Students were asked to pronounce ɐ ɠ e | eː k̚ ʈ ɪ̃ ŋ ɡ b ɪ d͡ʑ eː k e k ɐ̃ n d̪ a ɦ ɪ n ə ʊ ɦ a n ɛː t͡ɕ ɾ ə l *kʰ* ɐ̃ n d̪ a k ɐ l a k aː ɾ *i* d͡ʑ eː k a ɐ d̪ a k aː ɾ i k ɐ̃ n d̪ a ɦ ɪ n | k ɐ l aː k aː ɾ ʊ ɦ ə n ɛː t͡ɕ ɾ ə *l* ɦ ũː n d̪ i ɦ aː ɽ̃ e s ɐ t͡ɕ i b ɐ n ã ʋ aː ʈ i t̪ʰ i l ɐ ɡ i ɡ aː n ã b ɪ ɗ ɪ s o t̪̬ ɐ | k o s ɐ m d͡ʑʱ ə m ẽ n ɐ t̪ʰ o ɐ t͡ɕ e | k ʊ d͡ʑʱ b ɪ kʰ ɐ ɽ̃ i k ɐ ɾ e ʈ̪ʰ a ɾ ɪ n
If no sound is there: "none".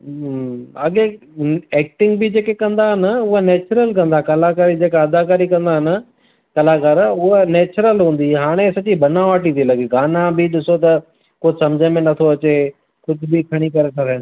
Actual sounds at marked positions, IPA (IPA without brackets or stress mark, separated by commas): k, i, l